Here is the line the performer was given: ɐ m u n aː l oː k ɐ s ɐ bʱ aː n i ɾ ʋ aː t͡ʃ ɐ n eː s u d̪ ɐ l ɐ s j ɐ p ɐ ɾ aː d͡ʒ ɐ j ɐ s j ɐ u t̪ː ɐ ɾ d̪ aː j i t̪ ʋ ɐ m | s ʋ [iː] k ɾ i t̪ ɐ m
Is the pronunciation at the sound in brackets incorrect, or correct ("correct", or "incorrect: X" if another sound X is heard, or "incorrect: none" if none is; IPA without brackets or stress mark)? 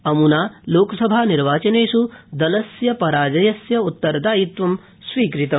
correct